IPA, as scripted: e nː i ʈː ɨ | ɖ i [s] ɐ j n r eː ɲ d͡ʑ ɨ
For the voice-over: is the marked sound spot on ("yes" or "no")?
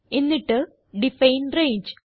no